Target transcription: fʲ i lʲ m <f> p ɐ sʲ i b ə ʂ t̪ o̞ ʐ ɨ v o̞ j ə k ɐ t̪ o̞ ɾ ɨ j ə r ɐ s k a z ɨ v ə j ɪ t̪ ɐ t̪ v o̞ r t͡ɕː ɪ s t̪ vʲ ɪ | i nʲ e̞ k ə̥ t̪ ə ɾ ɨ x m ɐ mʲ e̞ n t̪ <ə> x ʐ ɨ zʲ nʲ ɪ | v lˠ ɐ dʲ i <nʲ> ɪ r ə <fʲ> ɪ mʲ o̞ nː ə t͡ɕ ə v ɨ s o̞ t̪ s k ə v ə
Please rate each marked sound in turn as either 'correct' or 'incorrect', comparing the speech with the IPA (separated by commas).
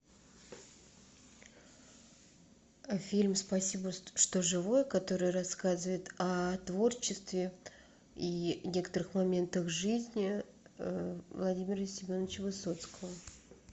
incorrect, correct, incorrect, incorrect